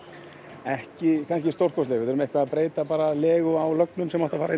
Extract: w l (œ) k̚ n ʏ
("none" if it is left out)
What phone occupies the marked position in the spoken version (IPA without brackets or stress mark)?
œ